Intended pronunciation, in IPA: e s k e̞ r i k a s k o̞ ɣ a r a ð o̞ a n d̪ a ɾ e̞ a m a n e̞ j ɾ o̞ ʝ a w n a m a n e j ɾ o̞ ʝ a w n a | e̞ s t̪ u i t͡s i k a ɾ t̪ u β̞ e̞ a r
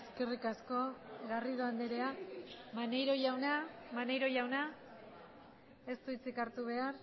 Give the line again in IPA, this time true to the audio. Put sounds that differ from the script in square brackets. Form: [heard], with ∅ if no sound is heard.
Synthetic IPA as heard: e s k e̞ r i k a s k o̞ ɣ a r [i] ð o̞ a n d̪ [e] ɾ e̞ a m a n e̞ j ɾ o̞ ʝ a w n a m a n e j ɾ o̞ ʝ a w n a | e̞ s t̪ u i t͡s i k a ɾ t̪ u β̞ e̞ a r